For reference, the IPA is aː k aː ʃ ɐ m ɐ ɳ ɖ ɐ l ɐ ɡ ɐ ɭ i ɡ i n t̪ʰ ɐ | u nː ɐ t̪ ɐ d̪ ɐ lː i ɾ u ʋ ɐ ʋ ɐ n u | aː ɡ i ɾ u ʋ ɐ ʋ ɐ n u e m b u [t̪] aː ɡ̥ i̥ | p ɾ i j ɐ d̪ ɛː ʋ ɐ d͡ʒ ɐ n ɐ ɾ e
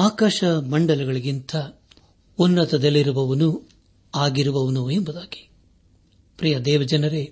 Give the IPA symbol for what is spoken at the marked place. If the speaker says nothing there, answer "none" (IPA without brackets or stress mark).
d̪